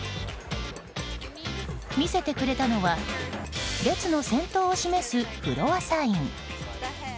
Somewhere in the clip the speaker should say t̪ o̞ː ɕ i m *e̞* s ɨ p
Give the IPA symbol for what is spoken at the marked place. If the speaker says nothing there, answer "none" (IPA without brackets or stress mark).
e̞